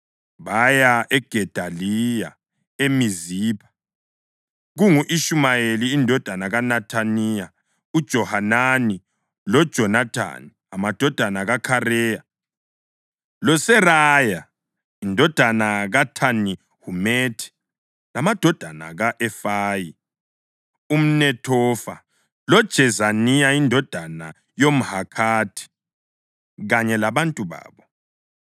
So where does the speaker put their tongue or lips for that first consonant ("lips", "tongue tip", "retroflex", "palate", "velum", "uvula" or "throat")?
lips